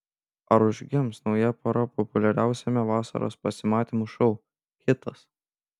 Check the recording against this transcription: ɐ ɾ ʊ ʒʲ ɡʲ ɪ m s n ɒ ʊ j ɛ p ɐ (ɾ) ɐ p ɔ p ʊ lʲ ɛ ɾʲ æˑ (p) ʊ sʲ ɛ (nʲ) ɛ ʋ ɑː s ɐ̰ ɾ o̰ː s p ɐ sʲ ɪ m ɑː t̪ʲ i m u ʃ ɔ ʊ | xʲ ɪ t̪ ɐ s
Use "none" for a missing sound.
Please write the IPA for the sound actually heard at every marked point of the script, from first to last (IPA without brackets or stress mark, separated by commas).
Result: ɾ, none, mʲ